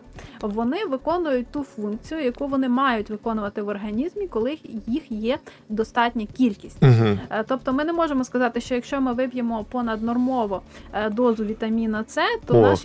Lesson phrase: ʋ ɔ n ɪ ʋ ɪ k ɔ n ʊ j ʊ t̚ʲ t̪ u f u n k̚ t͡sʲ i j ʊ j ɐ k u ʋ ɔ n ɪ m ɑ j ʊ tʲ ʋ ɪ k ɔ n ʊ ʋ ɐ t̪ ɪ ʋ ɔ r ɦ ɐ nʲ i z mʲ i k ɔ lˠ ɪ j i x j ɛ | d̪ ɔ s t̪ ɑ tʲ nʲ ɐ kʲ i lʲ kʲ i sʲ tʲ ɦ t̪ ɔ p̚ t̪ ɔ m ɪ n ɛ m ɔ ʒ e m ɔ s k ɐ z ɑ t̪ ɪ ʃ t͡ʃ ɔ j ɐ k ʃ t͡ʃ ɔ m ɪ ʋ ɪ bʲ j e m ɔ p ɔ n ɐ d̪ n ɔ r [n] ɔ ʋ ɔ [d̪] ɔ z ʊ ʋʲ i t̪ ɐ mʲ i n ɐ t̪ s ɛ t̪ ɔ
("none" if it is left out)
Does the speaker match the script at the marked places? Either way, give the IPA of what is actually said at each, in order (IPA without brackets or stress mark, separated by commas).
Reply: m, d̪